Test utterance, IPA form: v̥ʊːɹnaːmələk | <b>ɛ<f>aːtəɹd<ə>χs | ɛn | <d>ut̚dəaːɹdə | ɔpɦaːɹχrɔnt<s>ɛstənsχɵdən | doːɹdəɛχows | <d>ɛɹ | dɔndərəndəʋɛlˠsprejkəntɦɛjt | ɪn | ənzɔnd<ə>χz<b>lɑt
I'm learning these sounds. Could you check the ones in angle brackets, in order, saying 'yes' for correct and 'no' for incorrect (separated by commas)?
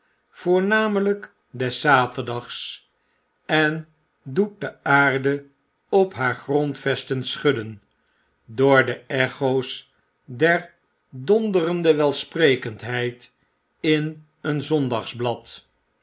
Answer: no, no, no, yes, no, yes, no, yes